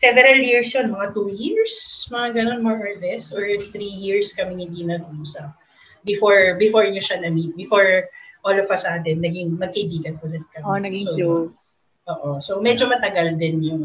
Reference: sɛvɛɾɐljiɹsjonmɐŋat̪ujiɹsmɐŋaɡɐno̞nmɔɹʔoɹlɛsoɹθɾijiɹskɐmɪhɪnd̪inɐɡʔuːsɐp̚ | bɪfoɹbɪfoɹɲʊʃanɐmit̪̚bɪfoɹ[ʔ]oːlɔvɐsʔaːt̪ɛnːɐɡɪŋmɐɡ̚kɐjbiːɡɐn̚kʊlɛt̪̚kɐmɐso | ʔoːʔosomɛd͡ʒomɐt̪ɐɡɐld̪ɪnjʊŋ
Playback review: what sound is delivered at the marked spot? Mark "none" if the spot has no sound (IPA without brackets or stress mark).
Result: ʔ